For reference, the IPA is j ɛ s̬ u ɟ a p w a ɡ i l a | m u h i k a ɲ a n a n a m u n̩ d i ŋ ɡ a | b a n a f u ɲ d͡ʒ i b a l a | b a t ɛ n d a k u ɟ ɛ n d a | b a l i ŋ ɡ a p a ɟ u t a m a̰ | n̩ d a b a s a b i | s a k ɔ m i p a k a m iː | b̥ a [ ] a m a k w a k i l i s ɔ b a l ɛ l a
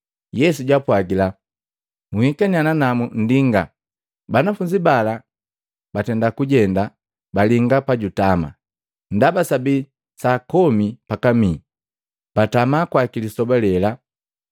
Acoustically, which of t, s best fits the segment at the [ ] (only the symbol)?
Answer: t